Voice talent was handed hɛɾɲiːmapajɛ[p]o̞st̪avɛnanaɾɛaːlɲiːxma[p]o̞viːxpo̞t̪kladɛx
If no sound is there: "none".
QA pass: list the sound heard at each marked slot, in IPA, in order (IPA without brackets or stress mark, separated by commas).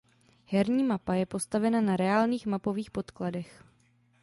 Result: p, p